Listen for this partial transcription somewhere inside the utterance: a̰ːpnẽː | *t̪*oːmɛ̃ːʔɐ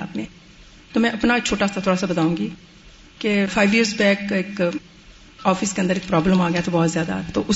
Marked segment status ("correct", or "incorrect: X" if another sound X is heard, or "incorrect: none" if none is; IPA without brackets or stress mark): correct